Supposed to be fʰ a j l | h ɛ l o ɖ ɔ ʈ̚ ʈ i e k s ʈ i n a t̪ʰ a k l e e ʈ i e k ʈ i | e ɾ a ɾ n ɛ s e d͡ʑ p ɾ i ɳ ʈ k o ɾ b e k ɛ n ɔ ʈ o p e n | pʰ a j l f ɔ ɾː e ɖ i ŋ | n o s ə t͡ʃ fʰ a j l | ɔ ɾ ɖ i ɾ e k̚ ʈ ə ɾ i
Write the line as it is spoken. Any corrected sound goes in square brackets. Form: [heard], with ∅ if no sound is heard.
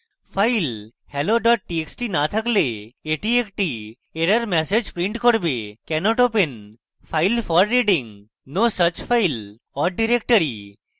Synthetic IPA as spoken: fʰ a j l | h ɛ l o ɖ ɔ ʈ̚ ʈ i e k s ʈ i n a t̪ʰ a k l e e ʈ i e k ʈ i | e ɾ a ɾ [m] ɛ s e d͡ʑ p ɾ i ɳ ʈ k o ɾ b e k ɛ n ɔ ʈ o p e n | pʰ a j l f ɔ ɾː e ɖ i ŋ | n o s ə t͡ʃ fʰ a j l | ɔ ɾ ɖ i ɾ e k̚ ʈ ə ɾ i

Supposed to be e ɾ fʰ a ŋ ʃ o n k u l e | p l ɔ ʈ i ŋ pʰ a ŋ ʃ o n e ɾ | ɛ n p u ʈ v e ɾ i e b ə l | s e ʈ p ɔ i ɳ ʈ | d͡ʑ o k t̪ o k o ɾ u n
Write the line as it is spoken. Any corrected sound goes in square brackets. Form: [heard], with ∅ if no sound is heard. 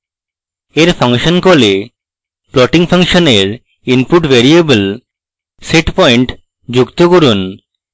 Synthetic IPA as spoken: e ɾ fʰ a ŋ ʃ o n k [o] l e | p l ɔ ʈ i ŋ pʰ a ŋ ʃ o n e ɾ | [i] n p u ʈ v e ɾ i e b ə l | s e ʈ p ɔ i ɳ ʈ | d͡ʑ [u] k t̪ o k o ɾ u n

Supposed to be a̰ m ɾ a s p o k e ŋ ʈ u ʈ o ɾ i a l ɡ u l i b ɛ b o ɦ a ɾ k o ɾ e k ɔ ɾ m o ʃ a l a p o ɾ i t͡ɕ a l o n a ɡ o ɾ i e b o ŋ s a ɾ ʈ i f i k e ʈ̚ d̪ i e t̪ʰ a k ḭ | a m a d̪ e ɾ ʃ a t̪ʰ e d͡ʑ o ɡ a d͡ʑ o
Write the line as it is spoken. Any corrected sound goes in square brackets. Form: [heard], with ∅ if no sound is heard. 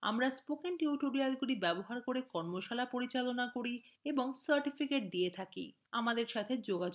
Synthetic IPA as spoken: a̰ m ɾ a s p o k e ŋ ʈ u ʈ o ɾ i a l ɡ u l i b ɛ b o ɦ a ɾ k o ɾ e k ɔ ɾ m o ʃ a l a p o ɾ i t͡ɕ a l o n a [k] o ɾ i e b o ŋ s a ɾ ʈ i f i k e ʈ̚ d̪ i e t̪ʰ a k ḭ | a m a d̪ e ɾ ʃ a t̪ʰ e d͡ʑ o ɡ a d͡ʑ o

